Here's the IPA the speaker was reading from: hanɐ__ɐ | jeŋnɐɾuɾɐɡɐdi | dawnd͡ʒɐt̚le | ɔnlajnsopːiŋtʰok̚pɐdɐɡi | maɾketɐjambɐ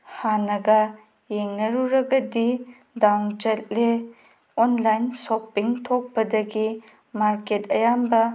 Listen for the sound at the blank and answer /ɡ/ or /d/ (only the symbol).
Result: ɡ